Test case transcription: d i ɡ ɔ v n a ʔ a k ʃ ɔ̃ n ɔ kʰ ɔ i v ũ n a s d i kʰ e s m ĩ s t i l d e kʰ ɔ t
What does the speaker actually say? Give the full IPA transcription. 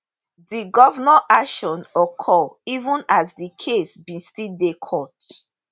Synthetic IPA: d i ɡ ɔ v n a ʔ a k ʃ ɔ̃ n ɔ kʰ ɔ i v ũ n a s d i kʰ e s b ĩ s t i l d e kʰ ɔ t